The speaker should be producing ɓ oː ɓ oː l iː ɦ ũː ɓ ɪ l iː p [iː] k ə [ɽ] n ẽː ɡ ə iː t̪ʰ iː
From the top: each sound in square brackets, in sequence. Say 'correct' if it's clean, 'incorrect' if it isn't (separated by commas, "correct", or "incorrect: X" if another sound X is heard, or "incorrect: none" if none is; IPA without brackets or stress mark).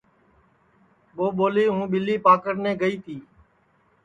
incorrect: aː, incorrect: ɾ